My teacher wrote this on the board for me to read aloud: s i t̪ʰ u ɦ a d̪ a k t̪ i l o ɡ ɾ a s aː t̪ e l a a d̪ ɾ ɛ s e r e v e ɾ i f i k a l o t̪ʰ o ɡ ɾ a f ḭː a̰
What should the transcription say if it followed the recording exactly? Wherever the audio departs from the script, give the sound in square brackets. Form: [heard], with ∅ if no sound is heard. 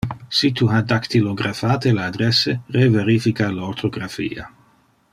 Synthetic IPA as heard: s i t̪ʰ u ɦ a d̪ a k t̪ i l o ɡ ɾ a [f] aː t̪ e l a a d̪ ɾ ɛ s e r e v e ɾ i f i k a l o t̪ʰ o ɡ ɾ a f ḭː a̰